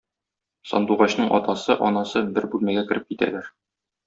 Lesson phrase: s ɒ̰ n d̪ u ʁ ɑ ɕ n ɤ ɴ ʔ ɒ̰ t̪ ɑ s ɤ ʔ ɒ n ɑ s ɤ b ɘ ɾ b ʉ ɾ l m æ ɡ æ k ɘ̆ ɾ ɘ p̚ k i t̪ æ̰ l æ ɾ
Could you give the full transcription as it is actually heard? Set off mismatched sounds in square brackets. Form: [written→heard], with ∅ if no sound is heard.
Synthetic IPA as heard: s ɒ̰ n d̪ u ʁ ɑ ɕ n ɤ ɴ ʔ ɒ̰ t̪ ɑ s ɤ ʔ ɒ n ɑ s ɤ b ɘ ɾ b ʉ [ɾ→∅] l m æ ɡ æ k ɘ̆ ɾ ɘ p̚ k i t̪ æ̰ l æ ɾ